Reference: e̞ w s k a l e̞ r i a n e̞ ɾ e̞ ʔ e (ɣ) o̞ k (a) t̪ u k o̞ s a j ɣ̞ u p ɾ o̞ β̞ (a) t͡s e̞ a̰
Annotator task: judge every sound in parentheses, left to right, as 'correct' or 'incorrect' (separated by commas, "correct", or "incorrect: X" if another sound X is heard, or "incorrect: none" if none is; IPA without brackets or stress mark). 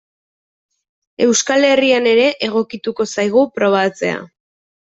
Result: correct, incorrect: i, correct